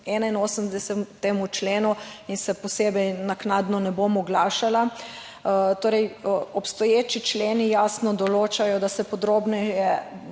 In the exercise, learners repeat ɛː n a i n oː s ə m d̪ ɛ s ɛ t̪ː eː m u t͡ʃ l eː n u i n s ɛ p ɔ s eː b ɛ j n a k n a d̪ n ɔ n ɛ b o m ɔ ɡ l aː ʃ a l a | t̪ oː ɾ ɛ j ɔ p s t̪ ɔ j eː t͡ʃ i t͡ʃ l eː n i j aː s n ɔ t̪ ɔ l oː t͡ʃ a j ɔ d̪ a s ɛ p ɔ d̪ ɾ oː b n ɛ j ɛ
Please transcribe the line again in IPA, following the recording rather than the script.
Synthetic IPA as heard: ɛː n a i n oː s ə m d̪ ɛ s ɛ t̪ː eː m u t͡ʃ l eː n u i n s ɛ p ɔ s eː b ɛ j n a k n a d̪ n ɔ n ɛ b o m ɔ ɡ l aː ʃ a l a | t̪ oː ɾ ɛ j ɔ p s t̪ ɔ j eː t͡ʃ i t͡ʃ l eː n i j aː s n ɔ d̪ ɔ l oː t͡ʃ a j ɔ d̪ a s ɛ p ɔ d̪ ɾ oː b n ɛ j ɛ

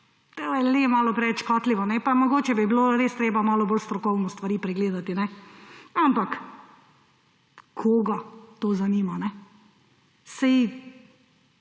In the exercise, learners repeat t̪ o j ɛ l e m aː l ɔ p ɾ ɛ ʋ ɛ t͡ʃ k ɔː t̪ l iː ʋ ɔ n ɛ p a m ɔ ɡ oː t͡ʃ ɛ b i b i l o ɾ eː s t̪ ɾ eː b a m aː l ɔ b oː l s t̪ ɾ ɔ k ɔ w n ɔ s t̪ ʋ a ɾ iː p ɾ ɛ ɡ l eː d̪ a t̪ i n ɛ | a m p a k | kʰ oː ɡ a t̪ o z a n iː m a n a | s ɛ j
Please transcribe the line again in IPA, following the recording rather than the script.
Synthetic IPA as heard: t̪ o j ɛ l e m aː l ɔ p ɾ ɛ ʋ ɛ t͡ʃ k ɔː t̪ l i ʋ ɔ n ɛ p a m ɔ ɡ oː t͡ʃ ɛ b i b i l o ɾ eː s t̪ ɾ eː b a m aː l ɔ b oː l s t̪ ɾ ɔ k ɔ w n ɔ s t̪ ʋ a ɾ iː p ɾ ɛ ɡ l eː d̪ a t̪ i n ɛ | a m p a k | kʰ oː ɡ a t̪ o z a n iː m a n ɛ | s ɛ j

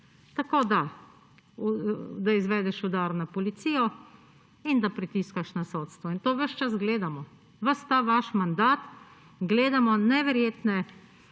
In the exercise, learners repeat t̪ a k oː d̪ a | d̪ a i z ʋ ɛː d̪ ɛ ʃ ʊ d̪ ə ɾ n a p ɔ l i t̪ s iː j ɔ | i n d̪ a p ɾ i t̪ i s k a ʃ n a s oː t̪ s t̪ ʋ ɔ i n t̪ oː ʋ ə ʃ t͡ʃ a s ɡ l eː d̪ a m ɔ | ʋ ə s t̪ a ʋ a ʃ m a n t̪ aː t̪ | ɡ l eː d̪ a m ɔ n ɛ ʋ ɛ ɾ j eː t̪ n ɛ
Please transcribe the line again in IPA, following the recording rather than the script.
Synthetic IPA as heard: t̪ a k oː d̪ a | d̪ a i z ʋ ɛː d̪ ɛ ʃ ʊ d̪ a ɾ n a p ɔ l i t̪ s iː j ɔ | i n d̪ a p ɾ i t̪ i s k a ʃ n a s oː t̪ s t̪ ʋ ɔ i n t̪ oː ʋ ə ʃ t͡ʃ a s ɡ l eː d̪ a m ɔ | ʋ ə s t̪ a ʋ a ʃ m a n d̪ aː t̪ | ɡ l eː d̪ a m ɔ n ɛ ʋ ɛ ɾ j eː t̪ n ɛ

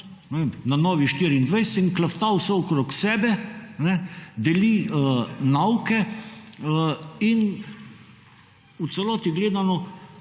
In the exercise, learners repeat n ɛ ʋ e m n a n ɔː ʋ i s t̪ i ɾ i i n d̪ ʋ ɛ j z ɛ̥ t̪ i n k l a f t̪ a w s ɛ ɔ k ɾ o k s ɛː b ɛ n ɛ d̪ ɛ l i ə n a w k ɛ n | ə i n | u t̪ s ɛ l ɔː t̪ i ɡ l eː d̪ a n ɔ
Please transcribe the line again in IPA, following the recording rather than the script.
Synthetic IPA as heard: n ɛ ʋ e m n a n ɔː ʋ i ʃ t̪ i ɾ i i n d̪ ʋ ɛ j s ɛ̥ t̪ i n k l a f t̪ a w s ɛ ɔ k ɾ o k s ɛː b ɛ n ɛ d̪ ɛ l i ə n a w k ɛ | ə i n | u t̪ s ɛ l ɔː t̪ i ɡ l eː d̪ a n ɔ

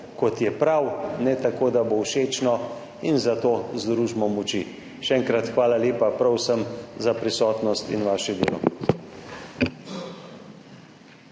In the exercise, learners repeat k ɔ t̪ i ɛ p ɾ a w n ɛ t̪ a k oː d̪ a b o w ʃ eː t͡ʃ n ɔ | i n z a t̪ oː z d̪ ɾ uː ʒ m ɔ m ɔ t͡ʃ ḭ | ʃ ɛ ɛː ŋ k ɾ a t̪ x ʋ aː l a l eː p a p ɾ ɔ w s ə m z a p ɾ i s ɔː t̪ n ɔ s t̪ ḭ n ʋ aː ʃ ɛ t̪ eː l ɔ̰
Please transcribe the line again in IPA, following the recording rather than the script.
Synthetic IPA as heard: k ɔ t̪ j ɛ p ɾ a w n ɛ t̪ a k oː d̪ a b o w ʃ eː t͡ʃ n ɔ | i n z a t̪ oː z d̪ ɾ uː ʒ m ɔ m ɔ t͡ʃ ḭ | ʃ ɛ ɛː ŋ k ɾ a t̪ x ʋ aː l a l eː p a p ɾ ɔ w s ə m z a p ɾ i s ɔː t̪ n ɔ s t̪ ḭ n ʋ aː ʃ ɛ d̪ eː l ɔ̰

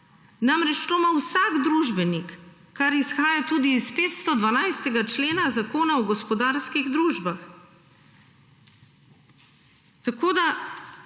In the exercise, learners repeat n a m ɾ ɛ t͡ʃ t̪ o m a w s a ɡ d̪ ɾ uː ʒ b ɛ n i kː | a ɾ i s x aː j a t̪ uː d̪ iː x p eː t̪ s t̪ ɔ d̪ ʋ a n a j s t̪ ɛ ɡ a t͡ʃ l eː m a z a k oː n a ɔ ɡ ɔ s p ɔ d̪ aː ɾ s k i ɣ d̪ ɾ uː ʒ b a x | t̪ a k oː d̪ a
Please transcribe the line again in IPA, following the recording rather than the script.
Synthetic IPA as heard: n a m ɾ ɛ t͡ʃ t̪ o m a w s a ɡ d̪ ɾ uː ʒ b ɛ n i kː | a ɾ i s x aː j a t̪ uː d̪ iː s p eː t̪ s t̪ ɔ d̪ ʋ a n a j s t̪ ɛ ɡ a t͡ʃ l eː n a z a k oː n a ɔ ɡ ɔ s p ɔ d̪ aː ɾ s k i ɣ d̪ ɾ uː ʒ b a x | t̪ a k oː d̪ a

